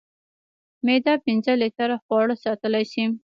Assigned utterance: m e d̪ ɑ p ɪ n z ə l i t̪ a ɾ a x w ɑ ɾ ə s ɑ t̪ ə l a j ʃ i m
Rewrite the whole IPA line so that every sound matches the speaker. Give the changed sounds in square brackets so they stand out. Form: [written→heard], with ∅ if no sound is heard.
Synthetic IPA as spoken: m e d̪ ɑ p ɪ n z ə l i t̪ a ɾ a x w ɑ [ɾ→ɽ] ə s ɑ t̪ ə l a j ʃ i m